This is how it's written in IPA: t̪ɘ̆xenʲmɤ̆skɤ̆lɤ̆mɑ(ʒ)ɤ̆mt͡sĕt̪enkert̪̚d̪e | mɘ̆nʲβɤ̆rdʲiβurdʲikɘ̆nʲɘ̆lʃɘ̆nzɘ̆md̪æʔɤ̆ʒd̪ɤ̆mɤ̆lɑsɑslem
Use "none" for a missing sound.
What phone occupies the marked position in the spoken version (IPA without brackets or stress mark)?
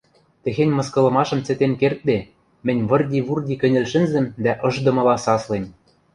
ʃ